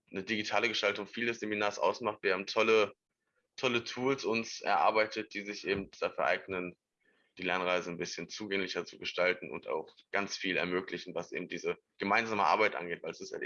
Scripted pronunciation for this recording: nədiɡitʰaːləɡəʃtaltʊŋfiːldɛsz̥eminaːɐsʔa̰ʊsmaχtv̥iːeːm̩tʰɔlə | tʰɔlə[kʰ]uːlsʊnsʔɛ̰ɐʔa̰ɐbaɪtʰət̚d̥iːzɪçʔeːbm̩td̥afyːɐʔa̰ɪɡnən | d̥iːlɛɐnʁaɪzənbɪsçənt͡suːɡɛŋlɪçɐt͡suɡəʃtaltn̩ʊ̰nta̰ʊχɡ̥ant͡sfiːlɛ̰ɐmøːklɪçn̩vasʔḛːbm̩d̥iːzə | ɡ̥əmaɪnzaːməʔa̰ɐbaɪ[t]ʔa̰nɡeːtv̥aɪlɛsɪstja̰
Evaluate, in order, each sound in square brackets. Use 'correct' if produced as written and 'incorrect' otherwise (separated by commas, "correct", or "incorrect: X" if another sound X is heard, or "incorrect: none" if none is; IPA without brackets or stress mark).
incorrect: tʰ, correct